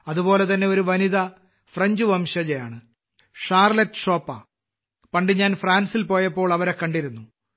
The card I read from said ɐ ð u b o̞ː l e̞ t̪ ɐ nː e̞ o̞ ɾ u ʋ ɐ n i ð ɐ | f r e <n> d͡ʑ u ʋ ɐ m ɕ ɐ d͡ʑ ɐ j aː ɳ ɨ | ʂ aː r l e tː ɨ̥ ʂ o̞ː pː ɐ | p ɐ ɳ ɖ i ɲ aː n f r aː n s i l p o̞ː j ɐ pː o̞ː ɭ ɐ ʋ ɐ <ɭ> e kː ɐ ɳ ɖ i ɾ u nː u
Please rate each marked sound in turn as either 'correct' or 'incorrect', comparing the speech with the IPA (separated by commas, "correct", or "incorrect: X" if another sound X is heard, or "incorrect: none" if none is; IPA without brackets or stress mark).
incorrect: ɲ, incorrect: ɾ